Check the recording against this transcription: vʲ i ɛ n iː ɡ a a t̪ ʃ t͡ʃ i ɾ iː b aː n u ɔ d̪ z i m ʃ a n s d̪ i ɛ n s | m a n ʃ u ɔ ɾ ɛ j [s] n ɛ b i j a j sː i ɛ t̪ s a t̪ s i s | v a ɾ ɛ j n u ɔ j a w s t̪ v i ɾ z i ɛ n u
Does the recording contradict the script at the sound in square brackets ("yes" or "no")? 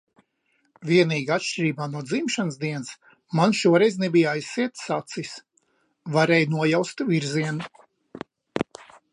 yes